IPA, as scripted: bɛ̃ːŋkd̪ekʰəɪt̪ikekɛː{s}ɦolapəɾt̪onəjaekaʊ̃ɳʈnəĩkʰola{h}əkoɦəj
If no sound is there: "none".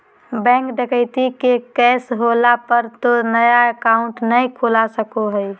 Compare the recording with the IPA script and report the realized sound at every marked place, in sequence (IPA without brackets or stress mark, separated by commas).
s, s